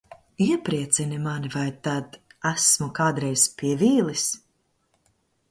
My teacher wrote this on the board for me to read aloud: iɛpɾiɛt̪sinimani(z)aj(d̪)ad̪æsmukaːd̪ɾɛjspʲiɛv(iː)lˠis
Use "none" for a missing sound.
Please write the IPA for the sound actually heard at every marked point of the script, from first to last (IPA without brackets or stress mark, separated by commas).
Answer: v, t̪, iː